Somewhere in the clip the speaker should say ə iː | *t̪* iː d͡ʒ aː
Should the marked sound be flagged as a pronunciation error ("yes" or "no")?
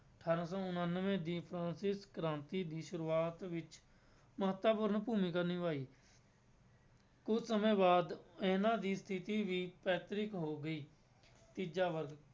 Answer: no